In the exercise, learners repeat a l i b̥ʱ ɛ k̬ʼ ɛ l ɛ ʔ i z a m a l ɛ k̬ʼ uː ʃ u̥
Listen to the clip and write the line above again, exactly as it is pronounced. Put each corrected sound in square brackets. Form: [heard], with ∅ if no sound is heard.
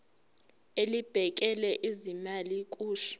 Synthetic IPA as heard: [e] l i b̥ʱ ɛ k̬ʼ ɛ l ɛ ʔ i z [i] m a l [i] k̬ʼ uː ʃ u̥